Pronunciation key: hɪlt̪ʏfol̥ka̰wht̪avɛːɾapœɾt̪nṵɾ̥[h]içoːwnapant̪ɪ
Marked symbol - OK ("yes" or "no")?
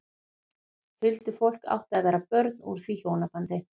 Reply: no